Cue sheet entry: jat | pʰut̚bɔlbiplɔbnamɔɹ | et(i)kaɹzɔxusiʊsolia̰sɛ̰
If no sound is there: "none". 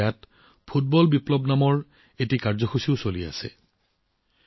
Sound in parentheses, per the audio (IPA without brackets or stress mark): i